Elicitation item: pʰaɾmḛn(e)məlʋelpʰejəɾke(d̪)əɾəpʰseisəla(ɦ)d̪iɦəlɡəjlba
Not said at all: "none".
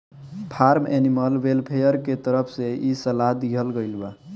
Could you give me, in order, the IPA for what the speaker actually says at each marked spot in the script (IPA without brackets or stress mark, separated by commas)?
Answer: i, t̪, ɦ